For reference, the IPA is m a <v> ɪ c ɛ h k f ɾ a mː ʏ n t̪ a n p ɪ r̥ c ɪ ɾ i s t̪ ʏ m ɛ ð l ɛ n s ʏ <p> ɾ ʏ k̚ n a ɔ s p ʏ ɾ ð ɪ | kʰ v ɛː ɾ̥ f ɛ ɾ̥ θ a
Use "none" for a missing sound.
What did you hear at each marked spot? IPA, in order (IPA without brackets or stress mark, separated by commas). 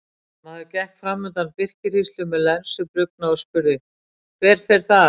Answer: ð, p